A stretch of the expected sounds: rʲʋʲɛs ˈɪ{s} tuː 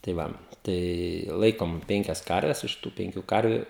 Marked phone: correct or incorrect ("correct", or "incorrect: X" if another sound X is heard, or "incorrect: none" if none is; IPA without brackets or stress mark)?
incorrect: ʃ